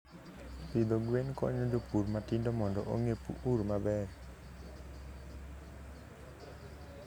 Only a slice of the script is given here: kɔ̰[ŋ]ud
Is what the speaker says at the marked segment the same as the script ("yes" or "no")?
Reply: no